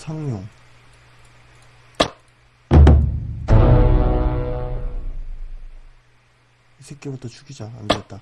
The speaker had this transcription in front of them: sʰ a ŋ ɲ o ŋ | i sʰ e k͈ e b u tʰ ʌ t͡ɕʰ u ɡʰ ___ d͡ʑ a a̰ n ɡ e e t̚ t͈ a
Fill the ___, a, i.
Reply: i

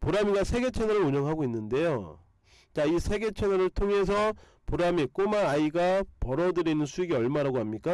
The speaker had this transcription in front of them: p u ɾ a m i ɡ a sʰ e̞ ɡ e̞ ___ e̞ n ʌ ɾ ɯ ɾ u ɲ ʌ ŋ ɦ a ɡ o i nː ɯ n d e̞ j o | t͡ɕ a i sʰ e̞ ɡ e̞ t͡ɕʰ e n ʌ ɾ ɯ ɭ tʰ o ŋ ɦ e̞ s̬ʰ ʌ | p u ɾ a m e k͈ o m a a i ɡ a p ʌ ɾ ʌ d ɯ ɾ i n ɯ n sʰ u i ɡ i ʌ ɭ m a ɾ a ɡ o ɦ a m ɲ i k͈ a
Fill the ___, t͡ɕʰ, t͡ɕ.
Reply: t͡ɕʰ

